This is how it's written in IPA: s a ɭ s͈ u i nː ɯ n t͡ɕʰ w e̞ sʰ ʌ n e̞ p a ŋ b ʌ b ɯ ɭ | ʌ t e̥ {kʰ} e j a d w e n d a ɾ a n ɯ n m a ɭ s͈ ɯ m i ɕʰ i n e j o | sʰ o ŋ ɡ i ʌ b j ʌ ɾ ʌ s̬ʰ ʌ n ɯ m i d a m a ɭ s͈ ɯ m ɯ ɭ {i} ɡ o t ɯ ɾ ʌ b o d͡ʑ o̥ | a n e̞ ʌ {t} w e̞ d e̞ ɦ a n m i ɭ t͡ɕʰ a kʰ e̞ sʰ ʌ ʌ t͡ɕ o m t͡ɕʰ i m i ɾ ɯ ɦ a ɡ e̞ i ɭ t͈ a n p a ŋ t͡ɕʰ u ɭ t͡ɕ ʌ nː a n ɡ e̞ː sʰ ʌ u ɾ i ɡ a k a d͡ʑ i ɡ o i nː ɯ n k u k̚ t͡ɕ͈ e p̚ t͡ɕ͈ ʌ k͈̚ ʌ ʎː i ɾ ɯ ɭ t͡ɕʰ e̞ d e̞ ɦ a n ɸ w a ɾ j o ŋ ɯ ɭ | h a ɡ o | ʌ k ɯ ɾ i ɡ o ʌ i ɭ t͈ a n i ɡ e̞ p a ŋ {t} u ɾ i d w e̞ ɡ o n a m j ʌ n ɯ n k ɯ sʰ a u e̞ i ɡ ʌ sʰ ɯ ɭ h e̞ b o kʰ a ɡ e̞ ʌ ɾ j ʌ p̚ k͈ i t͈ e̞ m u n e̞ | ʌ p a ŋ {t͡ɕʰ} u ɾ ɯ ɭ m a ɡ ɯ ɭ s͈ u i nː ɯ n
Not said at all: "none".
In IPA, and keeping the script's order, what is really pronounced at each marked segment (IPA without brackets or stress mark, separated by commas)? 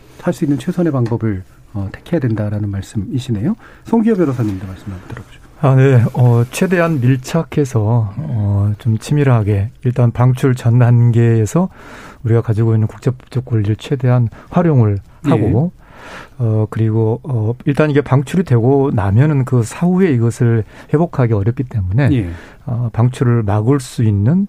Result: kʰ, a, t͡ɕʰ, t͡ɕʰ, t͡ɕʰ